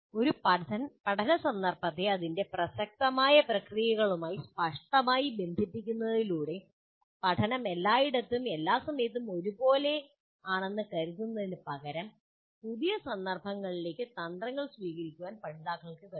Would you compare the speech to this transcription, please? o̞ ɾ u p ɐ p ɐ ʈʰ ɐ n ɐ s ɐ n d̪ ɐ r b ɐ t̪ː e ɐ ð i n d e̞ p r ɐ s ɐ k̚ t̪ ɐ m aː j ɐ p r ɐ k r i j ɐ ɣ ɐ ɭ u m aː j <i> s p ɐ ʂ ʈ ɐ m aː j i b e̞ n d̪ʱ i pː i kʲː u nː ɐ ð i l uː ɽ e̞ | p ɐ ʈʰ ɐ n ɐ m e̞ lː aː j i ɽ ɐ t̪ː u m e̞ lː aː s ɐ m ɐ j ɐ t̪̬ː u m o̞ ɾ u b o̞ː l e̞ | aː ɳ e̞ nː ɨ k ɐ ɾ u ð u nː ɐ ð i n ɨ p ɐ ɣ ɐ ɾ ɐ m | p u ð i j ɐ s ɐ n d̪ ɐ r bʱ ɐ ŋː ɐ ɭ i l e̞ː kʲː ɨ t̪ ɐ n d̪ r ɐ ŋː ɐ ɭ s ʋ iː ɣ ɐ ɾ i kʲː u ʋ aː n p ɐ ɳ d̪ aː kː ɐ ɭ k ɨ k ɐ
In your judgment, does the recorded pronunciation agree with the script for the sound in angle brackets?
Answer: yes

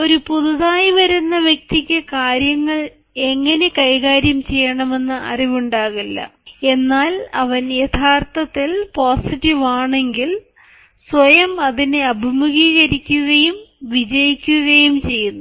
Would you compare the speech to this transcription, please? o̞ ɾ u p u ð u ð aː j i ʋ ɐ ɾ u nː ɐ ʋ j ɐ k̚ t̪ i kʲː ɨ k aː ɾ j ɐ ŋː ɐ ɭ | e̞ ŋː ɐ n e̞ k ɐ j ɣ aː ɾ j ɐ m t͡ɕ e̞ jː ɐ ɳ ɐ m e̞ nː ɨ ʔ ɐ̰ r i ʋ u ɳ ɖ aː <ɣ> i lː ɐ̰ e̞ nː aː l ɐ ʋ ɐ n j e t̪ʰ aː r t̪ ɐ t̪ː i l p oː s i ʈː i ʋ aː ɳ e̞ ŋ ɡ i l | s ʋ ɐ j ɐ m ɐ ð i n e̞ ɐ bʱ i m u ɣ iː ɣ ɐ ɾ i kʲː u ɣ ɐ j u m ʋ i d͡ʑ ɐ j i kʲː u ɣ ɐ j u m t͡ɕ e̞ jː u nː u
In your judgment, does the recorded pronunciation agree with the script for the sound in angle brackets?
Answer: yes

